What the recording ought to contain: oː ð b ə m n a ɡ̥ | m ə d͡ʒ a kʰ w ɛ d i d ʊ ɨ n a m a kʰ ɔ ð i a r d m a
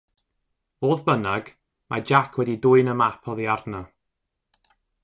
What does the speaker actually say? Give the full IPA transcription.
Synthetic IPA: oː ð b ə n a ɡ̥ | m a d͡ʒ a kʰ w ɛ d i d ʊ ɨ n ə m a pʰ ɔ ð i a r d n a